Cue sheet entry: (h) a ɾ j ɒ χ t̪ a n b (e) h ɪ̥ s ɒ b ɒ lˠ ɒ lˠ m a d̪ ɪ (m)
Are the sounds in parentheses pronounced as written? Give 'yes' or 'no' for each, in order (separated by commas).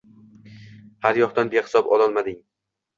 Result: yes, yes, no